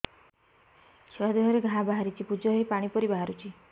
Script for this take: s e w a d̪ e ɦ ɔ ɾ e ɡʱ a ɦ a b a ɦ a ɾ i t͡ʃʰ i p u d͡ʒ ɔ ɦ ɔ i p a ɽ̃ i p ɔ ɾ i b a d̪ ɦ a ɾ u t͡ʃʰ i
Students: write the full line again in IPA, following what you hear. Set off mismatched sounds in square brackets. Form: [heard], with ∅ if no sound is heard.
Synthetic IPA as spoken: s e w a d̪ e ɦ ɔ ɾ e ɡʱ a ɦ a b a ɦ a ɾ i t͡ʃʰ i p u d͡ʒ ɔ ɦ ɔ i p a ɽ̃ i p ɔ ɾ i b a [∅] ɦ a ɾ u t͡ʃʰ i